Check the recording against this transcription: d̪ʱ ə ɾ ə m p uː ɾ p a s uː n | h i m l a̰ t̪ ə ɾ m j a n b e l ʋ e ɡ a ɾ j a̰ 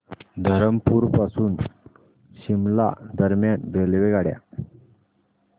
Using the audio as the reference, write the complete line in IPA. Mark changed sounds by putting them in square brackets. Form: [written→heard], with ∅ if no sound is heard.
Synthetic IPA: d̪ʱ ə ɾ ə m p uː ɾ p a s uː n | [h→ɕ] i m l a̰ [t̪→d̪] ə ɾ m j a n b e l ʋ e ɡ a [ɾ→ɽ] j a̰